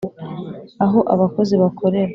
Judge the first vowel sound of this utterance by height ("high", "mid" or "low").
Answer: low